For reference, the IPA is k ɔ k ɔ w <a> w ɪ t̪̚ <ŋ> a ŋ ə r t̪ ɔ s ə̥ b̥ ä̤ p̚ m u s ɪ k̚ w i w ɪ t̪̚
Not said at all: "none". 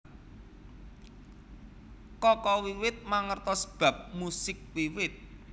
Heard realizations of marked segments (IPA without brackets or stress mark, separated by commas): i, m